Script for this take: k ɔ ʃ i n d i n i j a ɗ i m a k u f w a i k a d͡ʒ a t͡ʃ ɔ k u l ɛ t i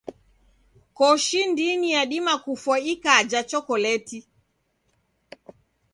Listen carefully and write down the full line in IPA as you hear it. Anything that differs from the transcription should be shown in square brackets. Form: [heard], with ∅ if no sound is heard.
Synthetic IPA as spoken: k ɔ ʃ i n d i n i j a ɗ i m a k u f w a i k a d͡ʒ a t͡ʃ ɔ k [ɔ] l ɛ t i